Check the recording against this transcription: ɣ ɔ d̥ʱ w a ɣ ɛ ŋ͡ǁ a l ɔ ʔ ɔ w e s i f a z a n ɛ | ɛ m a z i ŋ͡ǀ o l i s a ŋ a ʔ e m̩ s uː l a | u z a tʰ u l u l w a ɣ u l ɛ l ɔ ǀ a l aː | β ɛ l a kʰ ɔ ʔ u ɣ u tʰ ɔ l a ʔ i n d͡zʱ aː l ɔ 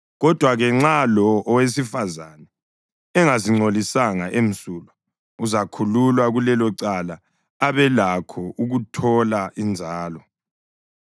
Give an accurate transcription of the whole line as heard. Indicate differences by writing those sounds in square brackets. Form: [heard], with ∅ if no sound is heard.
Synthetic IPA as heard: ɣ ɔ d̥ʱ w a ɣ ɛ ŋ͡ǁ a l ɔ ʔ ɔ w e s i f a z a n ɛ | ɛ [ŋ] a z i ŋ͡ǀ o l i s a ŋ a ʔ e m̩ s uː l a | u z a [kʰ] u l u l w a ɣ u l ɛ l ɔ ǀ a l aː | β ɛ l a kʰ ɔ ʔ u ɣ u tʰ ɔ l a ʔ i n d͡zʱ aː l ɔ